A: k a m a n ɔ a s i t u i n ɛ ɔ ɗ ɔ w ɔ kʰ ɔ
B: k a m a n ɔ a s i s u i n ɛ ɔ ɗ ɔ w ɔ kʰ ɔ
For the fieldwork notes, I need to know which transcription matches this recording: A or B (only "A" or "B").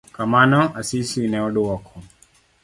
B